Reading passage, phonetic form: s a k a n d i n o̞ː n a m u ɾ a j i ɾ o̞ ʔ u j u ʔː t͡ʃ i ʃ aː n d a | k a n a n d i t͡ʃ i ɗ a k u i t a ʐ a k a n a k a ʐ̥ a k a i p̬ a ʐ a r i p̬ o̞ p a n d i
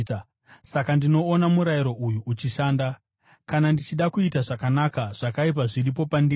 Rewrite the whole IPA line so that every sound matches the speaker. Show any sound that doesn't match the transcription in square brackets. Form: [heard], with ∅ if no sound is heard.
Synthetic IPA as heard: s a k a n d i n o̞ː n a m u ɾ a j i ɾ o̞ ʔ u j u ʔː t͡ʃ i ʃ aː n d a | k a n a n d i t͡ʃ i ɗ a k u i t a ʐ a k a n a k a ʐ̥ a k a i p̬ a ʐ [i] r i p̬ o̞ p a n d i